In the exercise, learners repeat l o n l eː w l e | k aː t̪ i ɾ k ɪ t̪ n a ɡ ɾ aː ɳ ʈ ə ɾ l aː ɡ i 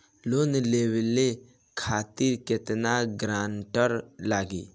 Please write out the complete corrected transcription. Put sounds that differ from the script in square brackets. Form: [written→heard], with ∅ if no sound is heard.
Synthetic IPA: l o n l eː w l e | [k→kʰ] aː t̪ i ɾ k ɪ t̪ n a ɡ ɾ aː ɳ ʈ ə ɾ l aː ɡ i